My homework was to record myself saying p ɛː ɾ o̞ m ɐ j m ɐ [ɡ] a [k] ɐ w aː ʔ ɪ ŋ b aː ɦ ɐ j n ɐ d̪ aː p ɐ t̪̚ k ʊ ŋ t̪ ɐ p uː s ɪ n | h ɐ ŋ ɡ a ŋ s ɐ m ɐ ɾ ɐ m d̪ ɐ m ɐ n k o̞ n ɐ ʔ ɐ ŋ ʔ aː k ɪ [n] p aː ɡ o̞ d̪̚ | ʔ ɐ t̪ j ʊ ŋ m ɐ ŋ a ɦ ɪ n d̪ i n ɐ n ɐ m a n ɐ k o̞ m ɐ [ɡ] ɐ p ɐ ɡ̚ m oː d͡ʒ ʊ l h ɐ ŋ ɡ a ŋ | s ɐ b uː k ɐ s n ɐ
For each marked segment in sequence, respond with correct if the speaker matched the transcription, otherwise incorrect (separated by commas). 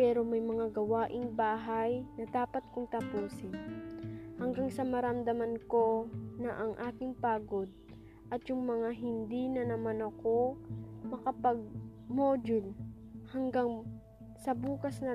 incorrect, incorrect, incorrect, incorrect